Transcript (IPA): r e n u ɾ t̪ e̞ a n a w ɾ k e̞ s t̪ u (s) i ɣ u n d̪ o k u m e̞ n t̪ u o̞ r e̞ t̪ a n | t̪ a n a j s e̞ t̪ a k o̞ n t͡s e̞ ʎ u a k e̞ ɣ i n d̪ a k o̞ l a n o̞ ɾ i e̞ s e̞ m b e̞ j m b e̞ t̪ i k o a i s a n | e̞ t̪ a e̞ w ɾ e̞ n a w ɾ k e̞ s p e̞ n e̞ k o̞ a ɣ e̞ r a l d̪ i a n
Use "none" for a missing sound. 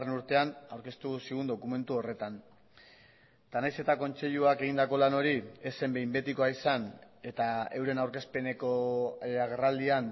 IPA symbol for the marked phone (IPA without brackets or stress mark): s